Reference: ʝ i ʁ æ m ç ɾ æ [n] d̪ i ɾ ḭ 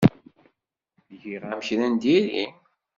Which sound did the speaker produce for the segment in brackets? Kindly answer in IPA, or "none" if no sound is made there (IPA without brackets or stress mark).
n